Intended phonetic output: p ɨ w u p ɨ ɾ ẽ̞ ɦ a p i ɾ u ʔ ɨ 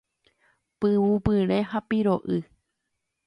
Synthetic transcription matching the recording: p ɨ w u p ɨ ɾ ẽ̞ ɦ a p i ɾ o ʔ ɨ